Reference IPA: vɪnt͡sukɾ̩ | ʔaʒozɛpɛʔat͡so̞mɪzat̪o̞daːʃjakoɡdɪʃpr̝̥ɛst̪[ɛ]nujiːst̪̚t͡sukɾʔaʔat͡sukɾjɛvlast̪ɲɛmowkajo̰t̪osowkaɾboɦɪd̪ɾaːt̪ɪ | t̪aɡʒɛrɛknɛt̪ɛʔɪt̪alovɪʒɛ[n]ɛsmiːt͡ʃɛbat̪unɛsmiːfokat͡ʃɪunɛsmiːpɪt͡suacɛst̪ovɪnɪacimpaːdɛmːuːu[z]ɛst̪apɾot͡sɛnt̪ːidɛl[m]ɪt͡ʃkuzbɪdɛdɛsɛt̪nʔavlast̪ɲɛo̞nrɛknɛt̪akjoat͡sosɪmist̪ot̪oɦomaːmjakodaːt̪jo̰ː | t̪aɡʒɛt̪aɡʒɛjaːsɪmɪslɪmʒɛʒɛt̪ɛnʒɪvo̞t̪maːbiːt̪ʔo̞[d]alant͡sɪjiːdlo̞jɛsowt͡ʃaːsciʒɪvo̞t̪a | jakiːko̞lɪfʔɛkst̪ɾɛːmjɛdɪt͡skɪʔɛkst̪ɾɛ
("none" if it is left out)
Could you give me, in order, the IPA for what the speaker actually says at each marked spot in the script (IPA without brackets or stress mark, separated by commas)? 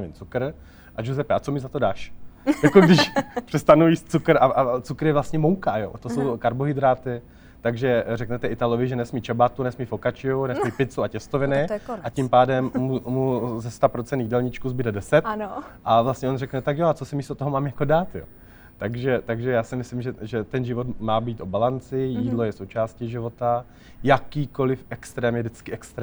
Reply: a, n, z, ɲ, b